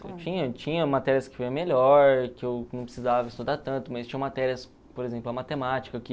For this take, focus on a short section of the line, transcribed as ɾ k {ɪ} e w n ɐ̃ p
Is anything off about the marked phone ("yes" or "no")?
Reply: no